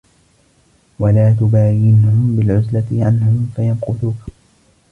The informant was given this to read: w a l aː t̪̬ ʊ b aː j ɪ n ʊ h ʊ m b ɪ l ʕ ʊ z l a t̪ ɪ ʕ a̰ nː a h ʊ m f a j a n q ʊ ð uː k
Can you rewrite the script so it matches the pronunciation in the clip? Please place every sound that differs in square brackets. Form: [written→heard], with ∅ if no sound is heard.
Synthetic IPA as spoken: w a l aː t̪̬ ʊ b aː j ɪ n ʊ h ʊ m b ɪ l ʕ ʊ z l a t̪ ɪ ʕ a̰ nː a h ʊ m f a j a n q ʊ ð uː k